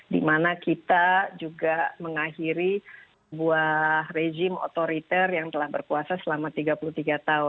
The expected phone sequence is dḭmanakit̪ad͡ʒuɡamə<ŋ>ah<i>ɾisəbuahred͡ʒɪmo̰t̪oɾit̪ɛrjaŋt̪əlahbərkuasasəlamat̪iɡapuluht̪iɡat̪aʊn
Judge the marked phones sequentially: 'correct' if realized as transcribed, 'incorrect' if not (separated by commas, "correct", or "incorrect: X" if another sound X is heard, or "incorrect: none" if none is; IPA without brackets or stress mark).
correct, correct